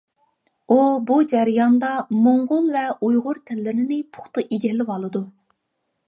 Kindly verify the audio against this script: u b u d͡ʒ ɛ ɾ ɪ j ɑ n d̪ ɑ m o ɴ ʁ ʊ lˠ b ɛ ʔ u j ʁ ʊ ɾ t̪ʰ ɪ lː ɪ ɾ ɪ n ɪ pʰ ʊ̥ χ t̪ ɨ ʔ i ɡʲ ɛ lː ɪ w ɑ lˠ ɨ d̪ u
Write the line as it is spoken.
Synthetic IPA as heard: u b u d͡ʒ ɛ ɾ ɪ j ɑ n d̪ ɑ m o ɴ ʁ ʊ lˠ v ɛ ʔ u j ʁ ʊ ɾ t̪ʰ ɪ lː ɪ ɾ ɪ n ɪ pʰ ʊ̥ χ t̪ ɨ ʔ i ɡʲ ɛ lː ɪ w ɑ lˠ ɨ d̪ u